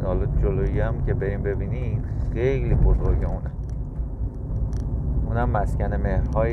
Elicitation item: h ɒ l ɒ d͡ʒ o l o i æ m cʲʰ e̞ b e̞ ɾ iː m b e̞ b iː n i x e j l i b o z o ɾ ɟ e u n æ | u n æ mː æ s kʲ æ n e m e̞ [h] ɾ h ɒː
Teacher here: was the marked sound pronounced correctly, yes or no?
yes